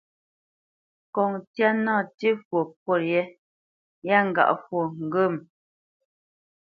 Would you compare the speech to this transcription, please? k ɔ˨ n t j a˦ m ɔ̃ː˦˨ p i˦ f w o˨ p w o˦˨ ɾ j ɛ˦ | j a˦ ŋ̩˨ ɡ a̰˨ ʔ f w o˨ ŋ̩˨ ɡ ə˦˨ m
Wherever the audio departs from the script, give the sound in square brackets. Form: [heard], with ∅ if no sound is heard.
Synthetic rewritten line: k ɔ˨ [ŋ] t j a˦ [n] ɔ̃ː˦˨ [t] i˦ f w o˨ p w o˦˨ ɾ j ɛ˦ | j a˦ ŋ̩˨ ɡ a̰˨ ʔ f w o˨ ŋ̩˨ ɡ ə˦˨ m

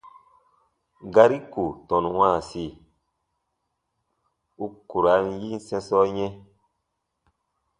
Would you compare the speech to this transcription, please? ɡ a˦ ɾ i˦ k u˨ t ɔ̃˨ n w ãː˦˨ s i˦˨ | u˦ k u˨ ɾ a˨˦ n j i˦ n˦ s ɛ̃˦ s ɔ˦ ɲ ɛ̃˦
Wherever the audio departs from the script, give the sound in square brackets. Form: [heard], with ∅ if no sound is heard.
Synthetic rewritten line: ɡ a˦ ɾ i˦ k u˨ t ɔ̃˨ n w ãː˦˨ s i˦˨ | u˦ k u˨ ɾ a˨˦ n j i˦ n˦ s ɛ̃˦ s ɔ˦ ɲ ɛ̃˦

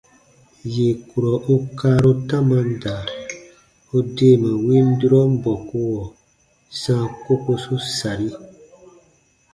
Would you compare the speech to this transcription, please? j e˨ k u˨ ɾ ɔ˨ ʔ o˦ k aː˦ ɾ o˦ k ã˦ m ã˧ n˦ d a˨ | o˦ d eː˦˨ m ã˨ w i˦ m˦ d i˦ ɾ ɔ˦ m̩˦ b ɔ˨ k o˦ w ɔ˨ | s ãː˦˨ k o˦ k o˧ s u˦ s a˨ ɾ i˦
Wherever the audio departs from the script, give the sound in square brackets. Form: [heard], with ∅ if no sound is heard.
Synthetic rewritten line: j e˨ k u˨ ɾ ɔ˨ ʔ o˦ k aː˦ ɾ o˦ [t] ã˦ m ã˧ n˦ d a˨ | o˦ d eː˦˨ m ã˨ w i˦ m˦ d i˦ ɾ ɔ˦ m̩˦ b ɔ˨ k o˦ w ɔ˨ | s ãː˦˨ k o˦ k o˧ s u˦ s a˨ ɾ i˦

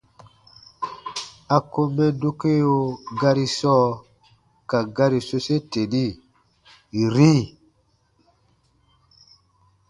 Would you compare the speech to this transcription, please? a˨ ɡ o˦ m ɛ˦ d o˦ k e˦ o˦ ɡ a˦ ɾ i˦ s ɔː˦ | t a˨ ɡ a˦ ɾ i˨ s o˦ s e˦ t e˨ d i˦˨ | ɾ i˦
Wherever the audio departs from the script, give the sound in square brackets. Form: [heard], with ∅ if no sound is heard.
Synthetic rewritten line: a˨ [k] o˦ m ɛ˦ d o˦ k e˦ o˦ ɡ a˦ ɾ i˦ s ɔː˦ | [k] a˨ ɡ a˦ ɾ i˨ s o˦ s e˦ t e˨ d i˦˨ | ɾ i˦

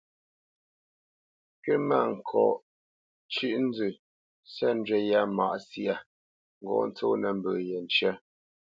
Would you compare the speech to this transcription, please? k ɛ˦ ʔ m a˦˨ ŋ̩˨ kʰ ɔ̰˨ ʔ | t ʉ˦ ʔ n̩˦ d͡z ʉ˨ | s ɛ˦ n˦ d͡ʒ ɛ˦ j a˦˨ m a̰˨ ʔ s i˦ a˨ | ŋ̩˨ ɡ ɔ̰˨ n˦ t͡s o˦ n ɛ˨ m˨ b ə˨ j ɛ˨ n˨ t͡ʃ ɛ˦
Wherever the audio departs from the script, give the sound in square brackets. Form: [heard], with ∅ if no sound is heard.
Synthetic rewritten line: k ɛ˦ [∅] m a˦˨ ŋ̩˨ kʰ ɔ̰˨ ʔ | [t͡ʃ] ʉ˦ ʔ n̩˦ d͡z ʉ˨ | s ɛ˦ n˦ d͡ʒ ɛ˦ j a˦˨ m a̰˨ ʔ s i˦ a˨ | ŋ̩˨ ɡ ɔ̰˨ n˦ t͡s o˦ n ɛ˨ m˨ b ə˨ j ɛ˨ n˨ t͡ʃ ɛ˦

